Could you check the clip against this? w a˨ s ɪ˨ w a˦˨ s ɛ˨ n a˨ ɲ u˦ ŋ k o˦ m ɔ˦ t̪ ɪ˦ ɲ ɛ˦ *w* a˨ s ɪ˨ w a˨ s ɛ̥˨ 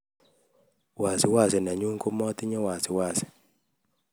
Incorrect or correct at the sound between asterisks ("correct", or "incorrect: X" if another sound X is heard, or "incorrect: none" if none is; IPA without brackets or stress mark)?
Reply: correct